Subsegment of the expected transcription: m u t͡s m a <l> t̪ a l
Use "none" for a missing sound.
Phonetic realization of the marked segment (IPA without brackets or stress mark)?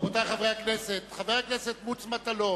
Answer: none